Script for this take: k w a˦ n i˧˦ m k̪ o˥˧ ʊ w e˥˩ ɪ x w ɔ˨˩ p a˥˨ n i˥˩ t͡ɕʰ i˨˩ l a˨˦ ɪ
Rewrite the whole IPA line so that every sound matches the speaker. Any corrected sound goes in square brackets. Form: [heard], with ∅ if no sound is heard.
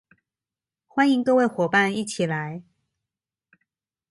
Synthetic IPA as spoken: [x] w a˦ n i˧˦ [ŋ] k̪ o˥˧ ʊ w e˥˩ ɪ x w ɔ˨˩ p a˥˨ n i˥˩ t͡ɕʰ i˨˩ l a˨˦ ɪ